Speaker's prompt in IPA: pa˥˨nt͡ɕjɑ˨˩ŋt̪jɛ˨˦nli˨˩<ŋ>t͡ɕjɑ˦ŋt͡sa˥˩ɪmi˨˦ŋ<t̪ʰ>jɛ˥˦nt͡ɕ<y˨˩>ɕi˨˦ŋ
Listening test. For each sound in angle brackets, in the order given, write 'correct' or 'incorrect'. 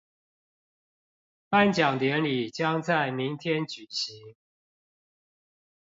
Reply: incorrect, correct, correct

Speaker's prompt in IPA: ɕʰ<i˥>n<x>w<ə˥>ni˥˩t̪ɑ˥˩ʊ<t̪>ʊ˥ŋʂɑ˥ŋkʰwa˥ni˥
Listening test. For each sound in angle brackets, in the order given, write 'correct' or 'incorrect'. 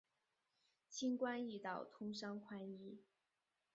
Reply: correct, incorrect, incorrect, incorrect

